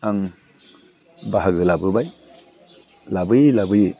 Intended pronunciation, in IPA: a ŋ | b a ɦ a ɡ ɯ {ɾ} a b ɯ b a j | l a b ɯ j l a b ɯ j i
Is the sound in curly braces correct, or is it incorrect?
incorrect: l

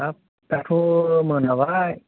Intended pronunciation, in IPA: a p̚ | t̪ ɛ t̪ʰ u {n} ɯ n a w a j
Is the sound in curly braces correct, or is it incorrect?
incorrect: m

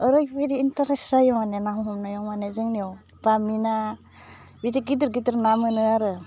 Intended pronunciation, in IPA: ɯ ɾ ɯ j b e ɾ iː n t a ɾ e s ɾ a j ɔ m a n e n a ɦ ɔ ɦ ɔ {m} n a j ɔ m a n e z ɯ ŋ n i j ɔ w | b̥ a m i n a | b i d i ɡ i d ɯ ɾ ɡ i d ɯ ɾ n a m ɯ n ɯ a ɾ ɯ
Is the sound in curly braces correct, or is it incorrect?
correct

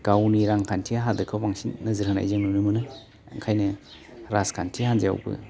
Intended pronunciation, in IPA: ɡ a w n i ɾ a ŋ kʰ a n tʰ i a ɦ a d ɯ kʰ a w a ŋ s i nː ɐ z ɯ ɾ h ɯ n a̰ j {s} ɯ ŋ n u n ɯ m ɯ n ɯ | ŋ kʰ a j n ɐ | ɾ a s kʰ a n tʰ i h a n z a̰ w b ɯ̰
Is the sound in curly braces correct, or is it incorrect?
incorrect: z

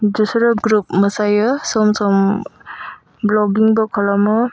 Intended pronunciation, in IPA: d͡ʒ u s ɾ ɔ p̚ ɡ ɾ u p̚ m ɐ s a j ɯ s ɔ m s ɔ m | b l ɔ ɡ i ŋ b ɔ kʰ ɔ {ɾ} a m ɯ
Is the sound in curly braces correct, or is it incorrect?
incorrect: l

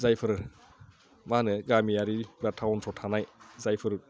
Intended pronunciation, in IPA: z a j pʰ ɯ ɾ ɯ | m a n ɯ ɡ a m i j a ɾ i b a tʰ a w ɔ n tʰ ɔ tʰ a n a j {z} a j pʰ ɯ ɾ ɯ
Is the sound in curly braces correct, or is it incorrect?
correct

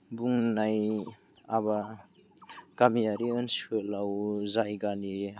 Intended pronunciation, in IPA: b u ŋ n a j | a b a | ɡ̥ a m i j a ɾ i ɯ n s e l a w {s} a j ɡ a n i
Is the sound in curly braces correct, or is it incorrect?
incorrect: z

